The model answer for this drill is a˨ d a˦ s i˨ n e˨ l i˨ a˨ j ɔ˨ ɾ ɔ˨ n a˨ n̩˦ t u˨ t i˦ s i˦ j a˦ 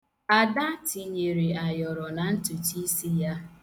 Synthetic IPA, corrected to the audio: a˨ d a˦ t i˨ ɲ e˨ ɾ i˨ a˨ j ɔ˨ ɾ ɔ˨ n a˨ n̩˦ t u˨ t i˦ s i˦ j a˦